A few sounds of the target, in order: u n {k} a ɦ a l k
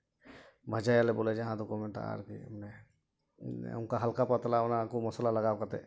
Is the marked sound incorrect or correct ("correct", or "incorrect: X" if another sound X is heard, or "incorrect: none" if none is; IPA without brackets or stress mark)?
correct